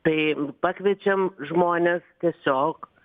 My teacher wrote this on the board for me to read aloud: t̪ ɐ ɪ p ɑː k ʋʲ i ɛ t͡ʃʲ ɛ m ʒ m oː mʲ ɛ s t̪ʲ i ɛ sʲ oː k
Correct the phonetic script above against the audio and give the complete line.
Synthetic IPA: t̪ ɐ ɪ p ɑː k ʋʲ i ɛ t͡ʃʲ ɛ m ʒ m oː nʲ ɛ s t̪ʲ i ɛ sʲ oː k